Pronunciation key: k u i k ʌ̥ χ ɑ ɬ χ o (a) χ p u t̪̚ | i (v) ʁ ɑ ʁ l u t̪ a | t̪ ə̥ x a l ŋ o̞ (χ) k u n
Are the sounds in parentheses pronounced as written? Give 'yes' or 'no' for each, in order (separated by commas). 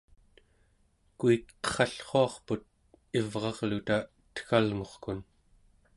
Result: no, yes, yes